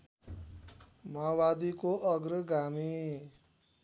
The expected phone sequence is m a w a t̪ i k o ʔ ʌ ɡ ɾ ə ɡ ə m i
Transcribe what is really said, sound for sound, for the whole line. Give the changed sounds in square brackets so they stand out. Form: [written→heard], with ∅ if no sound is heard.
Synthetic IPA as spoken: m a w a [t̪→d̪] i k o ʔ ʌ ɡ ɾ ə ɡ [ə→a] m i